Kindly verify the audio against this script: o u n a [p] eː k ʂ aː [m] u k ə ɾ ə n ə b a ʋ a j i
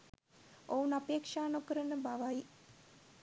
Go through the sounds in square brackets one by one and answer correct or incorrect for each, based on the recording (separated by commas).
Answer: correct, incorrect